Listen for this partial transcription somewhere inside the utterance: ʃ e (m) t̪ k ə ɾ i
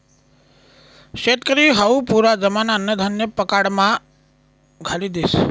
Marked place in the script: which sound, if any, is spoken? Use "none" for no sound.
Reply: none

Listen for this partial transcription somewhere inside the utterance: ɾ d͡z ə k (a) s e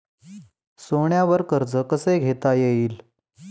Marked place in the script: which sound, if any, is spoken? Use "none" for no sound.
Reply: ə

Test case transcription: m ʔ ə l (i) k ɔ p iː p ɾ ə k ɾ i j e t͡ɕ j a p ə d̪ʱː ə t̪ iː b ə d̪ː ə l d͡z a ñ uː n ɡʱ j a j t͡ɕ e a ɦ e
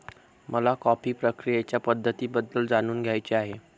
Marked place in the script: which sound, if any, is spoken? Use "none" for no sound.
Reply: a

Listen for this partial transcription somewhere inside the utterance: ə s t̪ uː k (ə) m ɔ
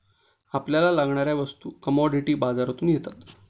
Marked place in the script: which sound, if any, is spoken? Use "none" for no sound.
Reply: ə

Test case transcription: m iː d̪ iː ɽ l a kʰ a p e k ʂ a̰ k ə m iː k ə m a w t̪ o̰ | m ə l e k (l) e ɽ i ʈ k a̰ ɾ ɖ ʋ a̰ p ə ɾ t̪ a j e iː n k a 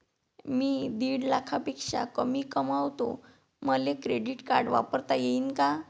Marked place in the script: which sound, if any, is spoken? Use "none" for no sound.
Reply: ɾ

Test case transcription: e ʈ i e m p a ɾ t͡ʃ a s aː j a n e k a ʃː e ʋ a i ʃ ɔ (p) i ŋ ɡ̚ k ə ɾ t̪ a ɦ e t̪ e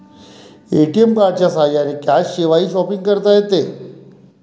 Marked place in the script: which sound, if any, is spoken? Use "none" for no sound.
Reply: p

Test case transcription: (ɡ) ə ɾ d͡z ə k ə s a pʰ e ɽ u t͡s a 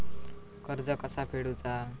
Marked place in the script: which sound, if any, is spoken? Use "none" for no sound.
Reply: k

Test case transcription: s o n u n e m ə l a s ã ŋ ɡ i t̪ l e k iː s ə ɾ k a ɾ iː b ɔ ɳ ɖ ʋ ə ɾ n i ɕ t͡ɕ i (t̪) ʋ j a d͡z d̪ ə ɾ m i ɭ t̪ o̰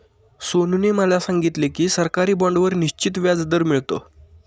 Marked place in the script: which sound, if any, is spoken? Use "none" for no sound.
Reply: t̪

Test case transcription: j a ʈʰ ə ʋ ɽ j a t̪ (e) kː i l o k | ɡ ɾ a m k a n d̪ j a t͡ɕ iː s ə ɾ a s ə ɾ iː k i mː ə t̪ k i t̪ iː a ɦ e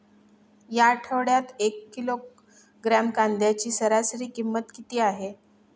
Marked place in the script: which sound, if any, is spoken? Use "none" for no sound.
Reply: e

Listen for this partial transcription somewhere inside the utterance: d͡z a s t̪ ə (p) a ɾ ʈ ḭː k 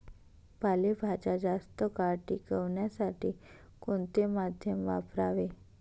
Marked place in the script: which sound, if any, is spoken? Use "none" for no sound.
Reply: k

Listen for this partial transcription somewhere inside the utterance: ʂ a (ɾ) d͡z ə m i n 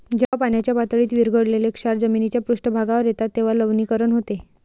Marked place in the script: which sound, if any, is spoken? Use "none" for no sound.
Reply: ɾ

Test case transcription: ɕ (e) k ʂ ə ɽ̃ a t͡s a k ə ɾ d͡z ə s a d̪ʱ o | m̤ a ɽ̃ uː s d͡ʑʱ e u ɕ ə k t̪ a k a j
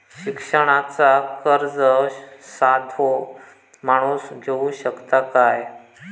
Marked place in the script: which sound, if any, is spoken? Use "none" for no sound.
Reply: i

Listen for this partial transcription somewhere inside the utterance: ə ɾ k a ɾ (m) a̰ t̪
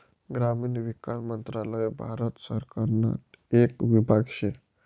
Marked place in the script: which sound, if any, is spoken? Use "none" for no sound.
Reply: n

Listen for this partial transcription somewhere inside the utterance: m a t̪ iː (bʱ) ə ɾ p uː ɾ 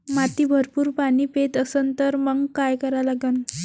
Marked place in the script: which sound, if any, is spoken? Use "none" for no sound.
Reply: bʱ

